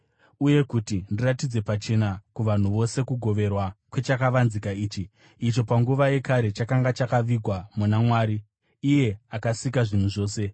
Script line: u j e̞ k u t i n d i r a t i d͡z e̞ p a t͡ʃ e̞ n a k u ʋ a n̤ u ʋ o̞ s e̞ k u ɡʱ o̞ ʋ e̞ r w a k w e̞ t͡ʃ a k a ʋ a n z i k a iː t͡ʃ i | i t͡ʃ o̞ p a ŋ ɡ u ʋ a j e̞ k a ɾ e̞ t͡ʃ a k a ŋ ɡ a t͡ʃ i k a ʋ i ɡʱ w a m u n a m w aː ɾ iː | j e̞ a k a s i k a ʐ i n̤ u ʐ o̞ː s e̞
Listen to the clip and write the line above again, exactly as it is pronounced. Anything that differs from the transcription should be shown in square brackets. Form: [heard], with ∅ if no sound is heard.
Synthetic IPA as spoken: u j e̞ k u t i n d i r a t i d͡z e̞ p a t͡ʃ e̞ n a k u ʋ a n̤ u ʋ o̞ s e̞ k u ɡʱ o̞ ʋ e̞ r w a k w e̞ t͡ʃ a k a ʋ a n z i k a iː t͡ʃ i | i t͡ʃ o̞ p a ŋ ɡ u ʋ a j e̞ k a ɾ e̞ t͡ʃ a k a ŋ ɡ a t͡ʃ [a] k a ʋ i ɡʱ w a m u n a m w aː ɾ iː | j e̞ a k a s i k a ʐ i n̤ u ʐ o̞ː s e̞